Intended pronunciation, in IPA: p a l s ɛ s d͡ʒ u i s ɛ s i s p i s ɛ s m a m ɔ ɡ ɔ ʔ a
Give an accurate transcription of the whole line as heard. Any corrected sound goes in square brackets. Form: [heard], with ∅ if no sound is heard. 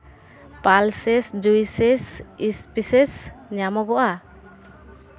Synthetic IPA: p a l s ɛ s d͡ʒ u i s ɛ s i s p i s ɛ s [ɲ] a m ɔ ɡ ɔ ʔ a